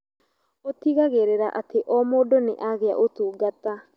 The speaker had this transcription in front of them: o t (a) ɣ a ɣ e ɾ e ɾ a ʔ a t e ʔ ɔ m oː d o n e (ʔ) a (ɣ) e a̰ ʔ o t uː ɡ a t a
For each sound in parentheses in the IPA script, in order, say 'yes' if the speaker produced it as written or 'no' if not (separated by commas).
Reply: no, yes, yes